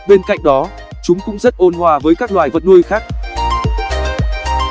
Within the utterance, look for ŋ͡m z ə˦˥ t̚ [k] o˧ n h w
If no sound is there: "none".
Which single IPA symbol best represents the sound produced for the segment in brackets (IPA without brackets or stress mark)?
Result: ʔ